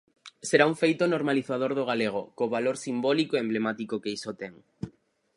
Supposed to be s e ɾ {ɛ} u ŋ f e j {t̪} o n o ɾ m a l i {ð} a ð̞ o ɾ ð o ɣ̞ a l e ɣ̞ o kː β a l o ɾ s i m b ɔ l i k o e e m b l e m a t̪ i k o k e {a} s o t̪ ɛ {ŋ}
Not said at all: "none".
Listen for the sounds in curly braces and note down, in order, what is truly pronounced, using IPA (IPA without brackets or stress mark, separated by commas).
a, t̪, θ, i, ŋ